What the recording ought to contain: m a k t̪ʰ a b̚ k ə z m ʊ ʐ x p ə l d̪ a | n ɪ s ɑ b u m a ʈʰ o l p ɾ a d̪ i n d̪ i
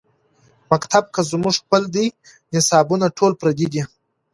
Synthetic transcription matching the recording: m a k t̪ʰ a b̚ k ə z m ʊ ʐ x p ə l d̪ i | n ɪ s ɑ b u n a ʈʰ o l p ɾ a d̪ i d̪ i